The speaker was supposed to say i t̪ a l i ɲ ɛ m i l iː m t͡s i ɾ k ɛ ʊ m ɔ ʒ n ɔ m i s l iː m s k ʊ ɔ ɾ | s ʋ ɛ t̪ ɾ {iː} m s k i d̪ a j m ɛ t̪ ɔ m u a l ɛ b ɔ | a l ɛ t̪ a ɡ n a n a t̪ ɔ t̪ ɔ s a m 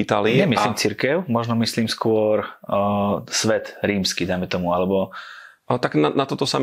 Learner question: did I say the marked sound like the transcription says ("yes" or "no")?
yes